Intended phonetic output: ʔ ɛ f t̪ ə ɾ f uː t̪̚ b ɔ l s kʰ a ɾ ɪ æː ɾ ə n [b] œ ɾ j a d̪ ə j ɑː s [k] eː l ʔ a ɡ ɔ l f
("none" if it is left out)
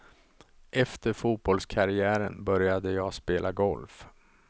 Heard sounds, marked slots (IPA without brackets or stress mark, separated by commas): b, p